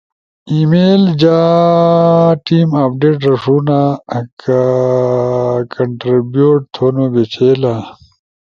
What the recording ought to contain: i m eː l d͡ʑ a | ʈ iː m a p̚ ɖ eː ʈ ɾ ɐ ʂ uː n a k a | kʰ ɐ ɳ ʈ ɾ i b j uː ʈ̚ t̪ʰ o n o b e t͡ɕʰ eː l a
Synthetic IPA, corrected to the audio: i m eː l d͡ʑ a | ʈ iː m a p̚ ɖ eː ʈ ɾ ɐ ʂ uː n a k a | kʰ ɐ ɳ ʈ ɾ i b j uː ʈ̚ t̪ʰ o n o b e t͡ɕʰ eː l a